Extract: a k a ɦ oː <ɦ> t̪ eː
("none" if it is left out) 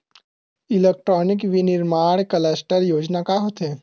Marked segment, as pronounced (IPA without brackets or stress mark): none